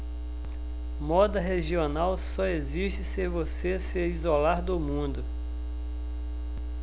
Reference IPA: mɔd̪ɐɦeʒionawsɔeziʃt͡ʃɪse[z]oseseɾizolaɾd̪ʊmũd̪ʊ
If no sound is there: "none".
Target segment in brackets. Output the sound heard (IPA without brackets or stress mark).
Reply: v